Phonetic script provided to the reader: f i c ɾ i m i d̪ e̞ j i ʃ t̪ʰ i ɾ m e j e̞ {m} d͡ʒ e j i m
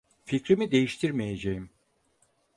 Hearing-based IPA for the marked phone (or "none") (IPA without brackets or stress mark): none